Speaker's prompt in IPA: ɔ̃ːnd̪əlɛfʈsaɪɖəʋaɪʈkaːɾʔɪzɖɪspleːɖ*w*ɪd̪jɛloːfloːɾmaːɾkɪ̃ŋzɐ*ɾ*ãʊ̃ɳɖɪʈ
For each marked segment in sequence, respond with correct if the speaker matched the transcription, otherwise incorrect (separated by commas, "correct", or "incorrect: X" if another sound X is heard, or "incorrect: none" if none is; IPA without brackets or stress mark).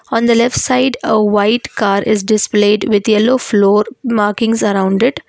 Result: incorrect: ʋ, correct